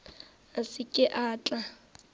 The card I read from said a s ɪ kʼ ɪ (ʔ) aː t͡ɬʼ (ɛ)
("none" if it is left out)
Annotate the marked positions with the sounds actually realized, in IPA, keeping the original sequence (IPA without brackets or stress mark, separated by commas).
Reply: ʔ, a